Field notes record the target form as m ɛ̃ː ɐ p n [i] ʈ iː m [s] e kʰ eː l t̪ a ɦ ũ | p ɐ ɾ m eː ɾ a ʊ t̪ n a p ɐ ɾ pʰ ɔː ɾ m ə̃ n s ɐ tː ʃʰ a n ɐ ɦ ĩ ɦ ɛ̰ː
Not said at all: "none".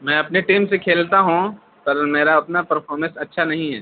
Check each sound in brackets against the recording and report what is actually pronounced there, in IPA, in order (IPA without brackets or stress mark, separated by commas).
e, s